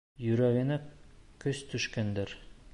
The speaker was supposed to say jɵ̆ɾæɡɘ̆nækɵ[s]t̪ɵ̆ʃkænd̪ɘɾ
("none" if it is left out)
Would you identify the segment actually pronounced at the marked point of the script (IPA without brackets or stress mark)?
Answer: s